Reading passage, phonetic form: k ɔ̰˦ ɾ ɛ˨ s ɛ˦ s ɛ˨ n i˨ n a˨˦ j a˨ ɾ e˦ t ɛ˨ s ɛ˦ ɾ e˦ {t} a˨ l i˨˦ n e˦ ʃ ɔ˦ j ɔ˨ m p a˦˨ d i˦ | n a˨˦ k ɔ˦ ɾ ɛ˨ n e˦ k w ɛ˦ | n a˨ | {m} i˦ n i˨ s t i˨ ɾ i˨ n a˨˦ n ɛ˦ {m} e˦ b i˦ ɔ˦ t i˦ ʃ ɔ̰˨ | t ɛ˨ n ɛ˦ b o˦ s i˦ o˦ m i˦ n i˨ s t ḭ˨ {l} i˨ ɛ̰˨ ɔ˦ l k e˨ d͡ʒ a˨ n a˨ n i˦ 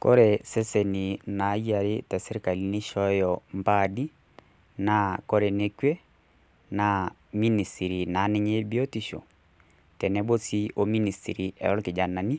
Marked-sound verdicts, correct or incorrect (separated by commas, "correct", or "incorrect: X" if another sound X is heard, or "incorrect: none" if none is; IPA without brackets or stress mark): incorrect: k, correct, incorrect: ɲ, incorrect: ɾ